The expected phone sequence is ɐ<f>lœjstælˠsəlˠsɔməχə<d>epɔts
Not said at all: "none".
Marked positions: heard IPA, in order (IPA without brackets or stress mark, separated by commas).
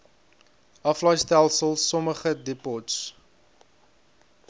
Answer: f, d